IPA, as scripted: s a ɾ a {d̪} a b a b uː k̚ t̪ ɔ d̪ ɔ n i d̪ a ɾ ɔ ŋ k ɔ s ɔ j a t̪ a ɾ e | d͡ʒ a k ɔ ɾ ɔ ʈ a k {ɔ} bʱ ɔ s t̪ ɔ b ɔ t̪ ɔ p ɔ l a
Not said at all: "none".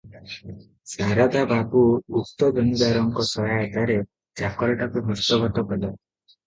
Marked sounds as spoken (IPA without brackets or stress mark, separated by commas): d̪, u